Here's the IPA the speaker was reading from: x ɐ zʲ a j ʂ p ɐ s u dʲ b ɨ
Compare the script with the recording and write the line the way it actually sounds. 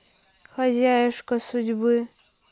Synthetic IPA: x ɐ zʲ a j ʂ k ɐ s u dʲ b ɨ